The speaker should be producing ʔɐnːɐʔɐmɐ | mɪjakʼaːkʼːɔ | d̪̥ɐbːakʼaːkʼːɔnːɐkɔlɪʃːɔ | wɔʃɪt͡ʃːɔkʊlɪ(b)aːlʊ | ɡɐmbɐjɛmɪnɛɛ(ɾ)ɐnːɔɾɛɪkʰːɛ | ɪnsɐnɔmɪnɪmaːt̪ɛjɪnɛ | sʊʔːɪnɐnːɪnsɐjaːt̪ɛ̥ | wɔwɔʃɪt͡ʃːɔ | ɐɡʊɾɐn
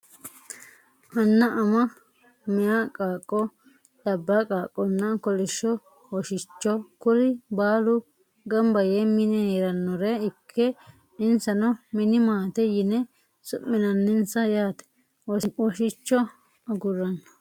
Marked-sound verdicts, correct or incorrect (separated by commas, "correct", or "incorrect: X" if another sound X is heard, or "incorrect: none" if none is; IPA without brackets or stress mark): correct, correct